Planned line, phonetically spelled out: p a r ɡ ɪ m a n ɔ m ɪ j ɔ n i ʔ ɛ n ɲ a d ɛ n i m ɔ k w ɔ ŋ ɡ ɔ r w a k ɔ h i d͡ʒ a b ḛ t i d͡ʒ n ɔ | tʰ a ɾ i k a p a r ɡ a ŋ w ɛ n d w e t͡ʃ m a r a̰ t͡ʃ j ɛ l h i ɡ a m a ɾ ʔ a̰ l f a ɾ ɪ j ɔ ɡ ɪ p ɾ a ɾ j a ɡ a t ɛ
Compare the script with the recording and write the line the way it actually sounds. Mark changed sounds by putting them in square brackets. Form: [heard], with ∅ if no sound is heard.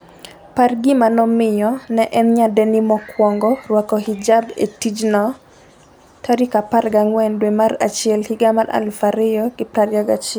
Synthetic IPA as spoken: p a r ɡ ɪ m a n ɔ m ɪ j ɔ n [ɛ] ʔ ɛ n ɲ a d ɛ n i m ɔ k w ɔ ŋ ɡ ɔ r w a k ɔ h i d͡ʒ a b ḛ t i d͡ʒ n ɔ | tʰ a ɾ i k a p a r ɡ a ŋ w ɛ n d w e [∅] m a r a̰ t͡ʃ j ɛ l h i ɡ a m a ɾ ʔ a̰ l f a ɾ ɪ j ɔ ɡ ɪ p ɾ a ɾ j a ɡ a [t͡ʃ] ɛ